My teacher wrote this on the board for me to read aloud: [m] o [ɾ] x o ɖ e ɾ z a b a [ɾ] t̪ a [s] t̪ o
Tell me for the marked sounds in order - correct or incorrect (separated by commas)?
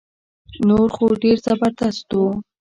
incorrect, correct, correct, correct